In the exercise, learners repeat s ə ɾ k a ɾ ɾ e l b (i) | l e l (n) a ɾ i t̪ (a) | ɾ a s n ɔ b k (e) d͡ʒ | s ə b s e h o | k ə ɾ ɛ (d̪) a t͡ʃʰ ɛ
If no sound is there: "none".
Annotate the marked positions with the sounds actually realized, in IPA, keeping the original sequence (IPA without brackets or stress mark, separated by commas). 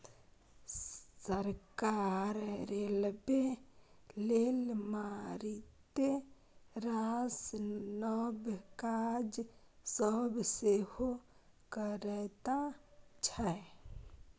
e, m, e, a, t̪